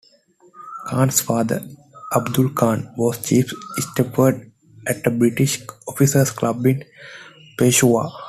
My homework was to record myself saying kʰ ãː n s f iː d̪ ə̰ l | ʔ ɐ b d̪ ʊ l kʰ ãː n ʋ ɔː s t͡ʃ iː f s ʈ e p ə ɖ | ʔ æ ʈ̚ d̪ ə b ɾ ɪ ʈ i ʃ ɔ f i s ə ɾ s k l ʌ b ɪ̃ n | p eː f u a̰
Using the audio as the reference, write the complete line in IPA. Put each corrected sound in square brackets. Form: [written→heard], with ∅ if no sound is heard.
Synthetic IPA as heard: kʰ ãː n s f [iː→aː] d̪ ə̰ [l→ɾ] | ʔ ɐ b d̪ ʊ l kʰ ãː n ʋ ɔː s t͡ʃ iː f s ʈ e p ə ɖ | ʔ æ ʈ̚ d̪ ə b ɾ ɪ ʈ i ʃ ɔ f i s ə ɾ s k l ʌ b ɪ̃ n | p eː [f→ʃ] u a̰